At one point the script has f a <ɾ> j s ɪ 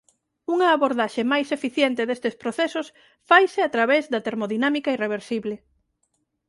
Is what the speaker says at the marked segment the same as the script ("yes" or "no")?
no